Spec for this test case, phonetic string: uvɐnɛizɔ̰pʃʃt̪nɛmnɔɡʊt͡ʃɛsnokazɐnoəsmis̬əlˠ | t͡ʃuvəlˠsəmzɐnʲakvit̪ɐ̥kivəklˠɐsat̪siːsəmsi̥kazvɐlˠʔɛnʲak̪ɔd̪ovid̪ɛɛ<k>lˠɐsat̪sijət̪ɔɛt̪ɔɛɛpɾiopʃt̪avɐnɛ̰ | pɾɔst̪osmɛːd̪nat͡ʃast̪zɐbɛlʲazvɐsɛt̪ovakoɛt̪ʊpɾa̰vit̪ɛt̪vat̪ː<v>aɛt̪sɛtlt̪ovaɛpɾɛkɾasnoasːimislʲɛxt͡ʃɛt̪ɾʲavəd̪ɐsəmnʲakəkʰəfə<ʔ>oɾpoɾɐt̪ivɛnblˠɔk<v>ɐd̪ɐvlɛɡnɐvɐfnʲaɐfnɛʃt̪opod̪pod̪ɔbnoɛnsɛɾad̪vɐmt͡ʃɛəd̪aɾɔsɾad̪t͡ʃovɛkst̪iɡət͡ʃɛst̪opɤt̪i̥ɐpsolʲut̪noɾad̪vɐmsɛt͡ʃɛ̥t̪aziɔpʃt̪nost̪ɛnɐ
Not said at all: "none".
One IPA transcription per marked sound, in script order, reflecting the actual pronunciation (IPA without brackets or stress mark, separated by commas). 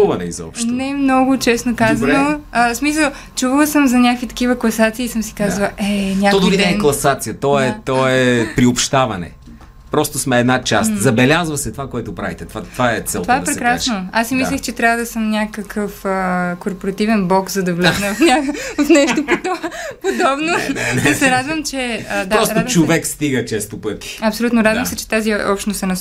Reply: k, v, k, z